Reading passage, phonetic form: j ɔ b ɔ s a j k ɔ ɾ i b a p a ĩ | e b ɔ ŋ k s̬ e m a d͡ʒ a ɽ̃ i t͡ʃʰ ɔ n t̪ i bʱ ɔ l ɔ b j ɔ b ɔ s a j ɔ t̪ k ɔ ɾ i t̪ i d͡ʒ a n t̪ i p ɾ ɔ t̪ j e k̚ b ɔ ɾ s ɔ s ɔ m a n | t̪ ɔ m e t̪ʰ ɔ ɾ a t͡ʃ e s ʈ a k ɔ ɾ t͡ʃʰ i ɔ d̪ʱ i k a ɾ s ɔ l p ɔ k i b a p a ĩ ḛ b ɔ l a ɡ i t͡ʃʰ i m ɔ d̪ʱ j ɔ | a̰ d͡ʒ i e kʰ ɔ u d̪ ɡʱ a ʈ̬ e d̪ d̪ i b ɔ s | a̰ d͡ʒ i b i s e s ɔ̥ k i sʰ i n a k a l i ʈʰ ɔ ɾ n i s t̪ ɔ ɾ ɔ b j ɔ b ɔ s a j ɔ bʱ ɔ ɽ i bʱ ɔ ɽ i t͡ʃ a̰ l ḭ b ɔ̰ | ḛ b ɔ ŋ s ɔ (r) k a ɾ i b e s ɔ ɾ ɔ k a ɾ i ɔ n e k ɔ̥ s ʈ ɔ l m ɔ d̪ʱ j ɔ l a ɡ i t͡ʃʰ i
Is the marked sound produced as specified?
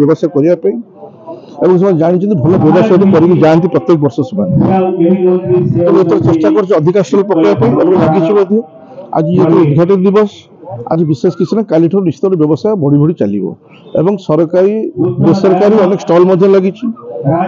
no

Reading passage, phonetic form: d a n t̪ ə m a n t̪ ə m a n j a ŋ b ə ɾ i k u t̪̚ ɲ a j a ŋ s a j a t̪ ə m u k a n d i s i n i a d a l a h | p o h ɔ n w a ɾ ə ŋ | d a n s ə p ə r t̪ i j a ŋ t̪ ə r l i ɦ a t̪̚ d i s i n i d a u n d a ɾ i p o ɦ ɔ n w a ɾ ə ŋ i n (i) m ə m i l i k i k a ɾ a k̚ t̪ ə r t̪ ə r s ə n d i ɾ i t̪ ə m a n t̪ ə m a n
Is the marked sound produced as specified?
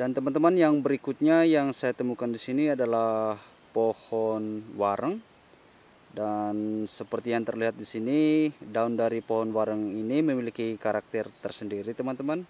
yes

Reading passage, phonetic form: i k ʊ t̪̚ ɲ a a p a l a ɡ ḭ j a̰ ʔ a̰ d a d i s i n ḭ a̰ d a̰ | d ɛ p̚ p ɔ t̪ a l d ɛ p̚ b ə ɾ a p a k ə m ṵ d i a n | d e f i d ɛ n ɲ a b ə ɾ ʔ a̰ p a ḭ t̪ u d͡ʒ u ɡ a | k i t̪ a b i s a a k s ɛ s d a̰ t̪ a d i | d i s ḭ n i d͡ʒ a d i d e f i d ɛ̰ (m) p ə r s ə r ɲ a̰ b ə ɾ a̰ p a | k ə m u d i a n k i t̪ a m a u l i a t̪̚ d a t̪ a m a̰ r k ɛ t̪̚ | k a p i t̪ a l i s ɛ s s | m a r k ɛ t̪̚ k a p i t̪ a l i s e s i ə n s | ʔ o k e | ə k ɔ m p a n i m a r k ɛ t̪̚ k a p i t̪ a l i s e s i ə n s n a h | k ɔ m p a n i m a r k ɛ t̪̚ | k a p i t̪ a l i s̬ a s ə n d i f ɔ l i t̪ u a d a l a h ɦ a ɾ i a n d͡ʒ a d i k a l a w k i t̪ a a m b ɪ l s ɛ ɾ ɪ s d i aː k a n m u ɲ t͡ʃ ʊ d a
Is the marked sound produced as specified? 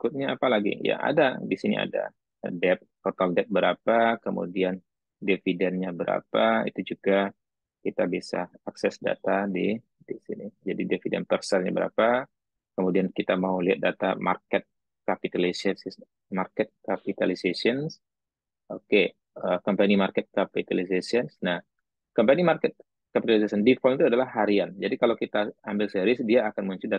no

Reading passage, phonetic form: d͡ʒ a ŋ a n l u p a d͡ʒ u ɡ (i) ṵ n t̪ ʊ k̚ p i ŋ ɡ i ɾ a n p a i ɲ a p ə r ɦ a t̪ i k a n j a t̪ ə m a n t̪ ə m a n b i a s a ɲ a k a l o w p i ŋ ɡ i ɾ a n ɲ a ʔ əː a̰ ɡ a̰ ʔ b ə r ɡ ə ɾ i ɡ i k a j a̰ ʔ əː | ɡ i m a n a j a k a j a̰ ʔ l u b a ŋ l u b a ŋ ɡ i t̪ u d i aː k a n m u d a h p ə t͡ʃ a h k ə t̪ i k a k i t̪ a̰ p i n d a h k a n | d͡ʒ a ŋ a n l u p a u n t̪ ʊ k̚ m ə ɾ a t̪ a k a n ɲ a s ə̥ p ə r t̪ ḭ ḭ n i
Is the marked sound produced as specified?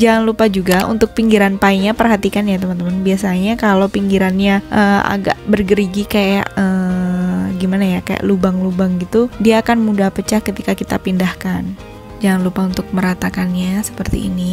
no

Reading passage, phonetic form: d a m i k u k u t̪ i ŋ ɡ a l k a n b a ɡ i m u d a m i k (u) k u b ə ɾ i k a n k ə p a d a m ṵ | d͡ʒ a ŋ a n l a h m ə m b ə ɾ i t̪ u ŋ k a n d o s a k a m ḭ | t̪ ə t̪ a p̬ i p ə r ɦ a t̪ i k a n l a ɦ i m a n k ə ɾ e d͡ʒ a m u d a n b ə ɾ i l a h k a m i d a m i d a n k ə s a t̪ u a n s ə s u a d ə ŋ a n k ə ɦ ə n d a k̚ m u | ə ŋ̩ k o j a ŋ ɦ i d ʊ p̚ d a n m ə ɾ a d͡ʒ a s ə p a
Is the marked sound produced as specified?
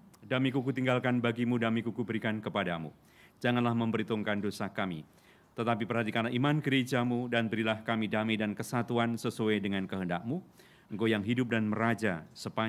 yes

